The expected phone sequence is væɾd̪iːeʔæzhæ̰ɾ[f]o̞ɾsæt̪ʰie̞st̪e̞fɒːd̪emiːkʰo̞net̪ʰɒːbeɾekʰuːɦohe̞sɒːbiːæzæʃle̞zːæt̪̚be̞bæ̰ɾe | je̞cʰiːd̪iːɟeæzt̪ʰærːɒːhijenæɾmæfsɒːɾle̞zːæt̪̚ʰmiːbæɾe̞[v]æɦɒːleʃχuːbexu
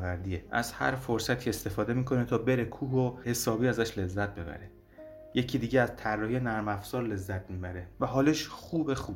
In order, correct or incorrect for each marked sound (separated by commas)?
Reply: correct, correct